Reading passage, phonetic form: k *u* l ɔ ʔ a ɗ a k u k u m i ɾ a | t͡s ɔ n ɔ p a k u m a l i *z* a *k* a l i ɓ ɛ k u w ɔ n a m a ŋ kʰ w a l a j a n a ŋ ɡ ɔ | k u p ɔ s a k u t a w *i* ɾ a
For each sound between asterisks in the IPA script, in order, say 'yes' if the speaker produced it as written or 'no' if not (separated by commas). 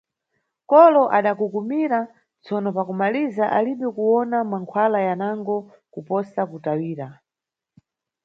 no, yes, no, no